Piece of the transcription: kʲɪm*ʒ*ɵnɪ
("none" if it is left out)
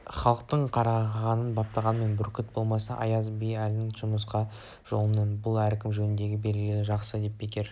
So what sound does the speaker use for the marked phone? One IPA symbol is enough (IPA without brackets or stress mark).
ʒ